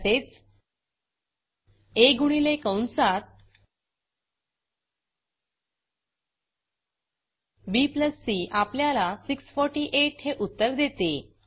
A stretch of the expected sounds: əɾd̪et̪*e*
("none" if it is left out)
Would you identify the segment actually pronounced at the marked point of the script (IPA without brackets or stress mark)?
e